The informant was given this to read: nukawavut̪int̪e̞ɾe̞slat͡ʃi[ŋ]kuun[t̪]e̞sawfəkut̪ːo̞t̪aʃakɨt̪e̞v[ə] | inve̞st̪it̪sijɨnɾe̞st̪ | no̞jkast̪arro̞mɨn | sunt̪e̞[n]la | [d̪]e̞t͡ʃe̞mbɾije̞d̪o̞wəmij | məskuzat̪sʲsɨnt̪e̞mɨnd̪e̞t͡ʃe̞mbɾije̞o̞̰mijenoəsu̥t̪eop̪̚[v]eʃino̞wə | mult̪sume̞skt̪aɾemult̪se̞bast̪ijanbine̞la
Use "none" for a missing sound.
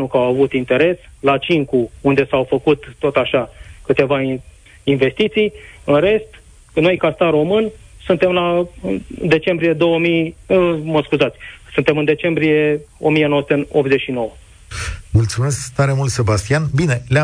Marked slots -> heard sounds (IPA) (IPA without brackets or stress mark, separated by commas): ŋ, d̪, a, m, d̪, z